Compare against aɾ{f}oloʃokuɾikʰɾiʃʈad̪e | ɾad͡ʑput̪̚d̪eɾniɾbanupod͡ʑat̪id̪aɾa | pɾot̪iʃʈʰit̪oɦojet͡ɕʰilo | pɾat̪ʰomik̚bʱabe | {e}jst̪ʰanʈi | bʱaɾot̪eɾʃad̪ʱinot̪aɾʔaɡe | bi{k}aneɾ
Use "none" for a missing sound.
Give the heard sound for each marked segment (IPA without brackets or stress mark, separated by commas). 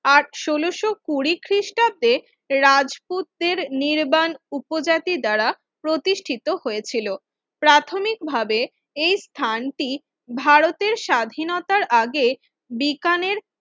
ʃ, e, k